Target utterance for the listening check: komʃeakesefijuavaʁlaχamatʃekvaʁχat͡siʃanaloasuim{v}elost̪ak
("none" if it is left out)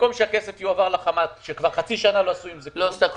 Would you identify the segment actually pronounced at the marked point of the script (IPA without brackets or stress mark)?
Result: z